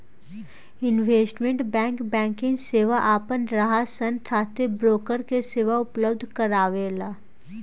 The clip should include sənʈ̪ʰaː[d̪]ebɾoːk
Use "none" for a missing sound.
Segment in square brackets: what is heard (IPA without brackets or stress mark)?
t̪